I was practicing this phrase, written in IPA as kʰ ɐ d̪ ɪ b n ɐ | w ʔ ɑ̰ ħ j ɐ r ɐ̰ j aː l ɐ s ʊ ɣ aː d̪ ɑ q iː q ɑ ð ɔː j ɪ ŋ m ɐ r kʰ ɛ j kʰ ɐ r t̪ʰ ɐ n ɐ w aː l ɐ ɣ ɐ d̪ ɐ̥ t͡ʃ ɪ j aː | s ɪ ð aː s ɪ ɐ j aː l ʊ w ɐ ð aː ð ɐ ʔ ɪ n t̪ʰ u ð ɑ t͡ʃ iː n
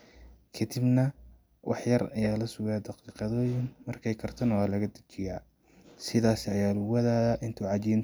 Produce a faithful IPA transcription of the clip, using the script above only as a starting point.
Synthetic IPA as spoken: kʰ ɐ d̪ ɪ b n ɐ | w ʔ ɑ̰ ħ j ɐ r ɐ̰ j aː l ɐ s ʊ ɣ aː d̪ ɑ q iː q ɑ ð ɔː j ɪ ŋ m ɐ r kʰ ɛ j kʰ ɐ r t̪ʰ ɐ n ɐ w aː l ɐ ɣ ɐ d̪ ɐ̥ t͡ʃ ɪ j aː | s ɪ ð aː s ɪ ɐ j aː l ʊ w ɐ ð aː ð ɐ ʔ ɪ n t̪ʰ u ʕ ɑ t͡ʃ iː n